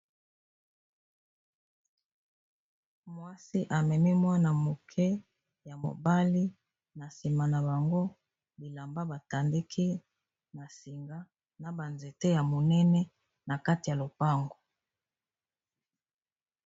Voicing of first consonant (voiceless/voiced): voiced